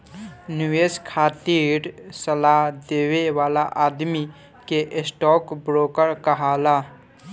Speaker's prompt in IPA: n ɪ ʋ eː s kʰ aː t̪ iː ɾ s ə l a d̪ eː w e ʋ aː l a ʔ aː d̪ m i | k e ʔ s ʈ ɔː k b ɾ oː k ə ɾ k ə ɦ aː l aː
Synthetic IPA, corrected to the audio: n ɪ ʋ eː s kʰ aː t̪ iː ɾ s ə l a d̪ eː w e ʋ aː l a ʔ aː d̪ m i | k e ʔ s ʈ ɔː k b ɾ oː k ə ɾ k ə ɦ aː l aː

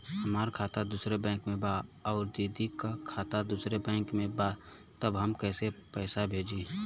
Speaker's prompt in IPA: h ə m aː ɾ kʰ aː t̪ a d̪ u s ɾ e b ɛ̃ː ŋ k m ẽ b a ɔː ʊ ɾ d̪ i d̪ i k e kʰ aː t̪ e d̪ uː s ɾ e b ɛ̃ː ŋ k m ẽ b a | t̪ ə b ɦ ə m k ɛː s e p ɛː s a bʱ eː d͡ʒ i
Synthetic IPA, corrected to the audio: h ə m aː ɾ kʰ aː t̪ a d̪ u s ɾ e b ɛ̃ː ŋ k m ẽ b a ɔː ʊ ɾ d̪ i d̪ i k a kʰ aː t̪ a d̪ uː s ɾ e b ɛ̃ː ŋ k m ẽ b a | t̪ ə b ɦ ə m k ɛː s e p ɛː s a bʱ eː d͡ʒ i

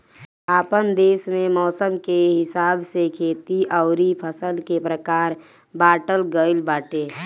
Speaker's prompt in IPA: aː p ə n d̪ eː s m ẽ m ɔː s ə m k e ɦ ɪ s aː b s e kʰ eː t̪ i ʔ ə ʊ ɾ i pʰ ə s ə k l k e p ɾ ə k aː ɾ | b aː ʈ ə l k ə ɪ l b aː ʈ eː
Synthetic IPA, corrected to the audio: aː p ə n d̪ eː s m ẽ m ɔː s ə m k e ɦ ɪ s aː b s e kʰ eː t̪ i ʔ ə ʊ ɾ i pʰ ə s ə l k e p ɾ ə k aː ɾ | b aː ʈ ə l ɡ ə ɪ l b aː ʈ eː

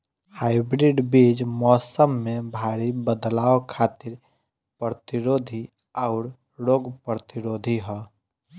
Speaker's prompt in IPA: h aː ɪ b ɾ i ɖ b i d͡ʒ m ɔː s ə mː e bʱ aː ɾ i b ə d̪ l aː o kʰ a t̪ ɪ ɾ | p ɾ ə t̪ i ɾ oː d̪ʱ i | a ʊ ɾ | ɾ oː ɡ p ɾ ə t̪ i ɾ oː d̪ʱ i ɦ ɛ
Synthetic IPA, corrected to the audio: h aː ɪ b ɾ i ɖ b i d͡ʒ m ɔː s ə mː e bʱ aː ɾ i b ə d̪ l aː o kʰ a t̪ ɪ ɾ | p ɾ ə t̪ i ɾ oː d̪ʱ i | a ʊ ɾ | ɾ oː ɡ p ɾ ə t̪ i ɾ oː d̪ʱ i ɦ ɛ

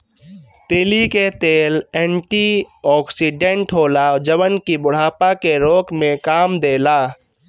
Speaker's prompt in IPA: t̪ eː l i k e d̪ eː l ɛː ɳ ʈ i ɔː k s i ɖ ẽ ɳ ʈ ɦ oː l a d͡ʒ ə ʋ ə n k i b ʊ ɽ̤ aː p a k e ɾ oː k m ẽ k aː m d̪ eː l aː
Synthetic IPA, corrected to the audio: t̪ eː l i k e t̪ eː l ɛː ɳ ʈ i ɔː k s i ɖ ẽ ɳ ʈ ɦ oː l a d͡ʒ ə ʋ ə n k i b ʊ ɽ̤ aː p a k e ɾ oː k m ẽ k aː m d̪ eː l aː

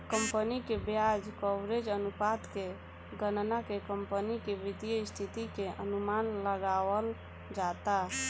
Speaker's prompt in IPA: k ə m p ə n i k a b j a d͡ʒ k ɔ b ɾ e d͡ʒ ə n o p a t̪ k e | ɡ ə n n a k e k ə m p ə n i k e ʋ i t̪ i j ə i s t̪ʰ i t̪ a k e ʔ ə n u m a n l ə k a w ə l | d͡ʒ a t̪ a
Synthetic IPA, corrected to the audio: k ə m p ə n i k e b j a d͡ʒ k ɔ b ɾ e d͡ʒ ə n u p a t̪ k e | ɡ ə n n a k e k ə m p ə n i k e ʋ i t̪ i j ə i s t̪ʰ i t̪ i k e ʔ ə n u m a n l ə ɡ a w ə l | d͡ʒ a t̪ a

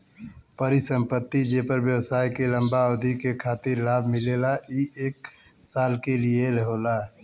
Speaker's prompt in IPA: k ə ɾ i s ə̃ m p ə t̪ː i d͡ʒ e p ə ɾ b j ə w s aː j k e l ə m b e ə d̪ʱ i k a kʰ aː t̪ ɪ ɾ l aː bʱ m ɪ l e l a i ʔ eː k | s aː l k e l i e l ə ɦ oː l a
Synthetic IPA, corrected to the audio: p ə ɾ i s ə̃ m p ə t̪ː i d͡ʒ e p ə ɾ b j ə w s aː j k e l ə m b a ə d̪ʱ i k e kʰ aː t̪ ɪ ɾ l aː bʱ m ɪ l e l a i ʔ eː k | s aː l k e l i e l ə ɦ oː l a

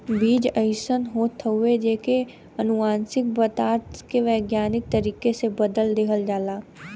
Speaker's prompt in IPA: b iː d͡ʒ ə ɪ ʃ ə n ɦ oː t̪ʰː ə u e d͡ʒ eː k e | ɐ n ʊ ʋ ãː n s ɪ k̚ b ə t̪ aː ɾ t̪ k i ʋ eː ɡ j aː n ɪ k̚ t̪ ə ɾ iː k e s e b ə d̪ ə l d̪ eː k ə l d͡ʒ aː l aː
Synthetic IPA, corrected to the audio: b iː d͡ʒ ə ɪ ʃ ə n ɦ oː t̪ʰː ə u e d͡ʒ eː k e | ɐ n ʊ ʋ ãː n s ɪ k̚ b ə t̪ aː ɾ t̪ k e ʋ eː ɡ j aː n ɪ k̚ t̪ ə ɾ iː k e s e b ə d̪ ə l d̪ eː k ə l d͡ʒ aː l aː

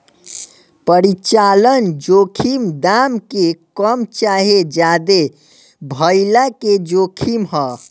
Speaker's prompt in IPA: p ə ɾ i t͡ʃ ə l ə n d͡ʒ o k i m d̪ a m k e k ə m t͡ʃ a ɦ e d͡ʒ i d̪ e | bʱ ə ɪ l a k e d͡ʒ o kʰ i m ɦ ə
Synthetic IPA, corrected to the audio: p ə ɾ i t͡ʃ a l ə n d͡ʒ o kʰ i m d̪ a m k e k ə m t͡ʃ a ɦ e d͡ʒ a d̪ e | bʱ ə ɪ l a k e d͡ʒ o kʰ i m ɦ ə

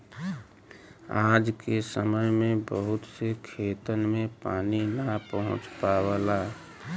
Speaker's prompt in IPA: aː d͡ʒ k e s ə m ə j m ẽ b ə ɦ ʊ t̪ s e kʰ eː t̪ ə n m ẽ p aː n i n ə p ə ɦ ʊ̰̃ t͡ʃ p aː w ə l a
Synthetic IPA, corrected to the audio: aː d͡ʒ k e s ə m ə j m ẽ b ə ɦ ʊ t̪ s e kʰ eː t̪ ə n m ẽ p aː n i n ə p ə ɦ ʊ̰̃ t͡ʃ p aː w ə l a

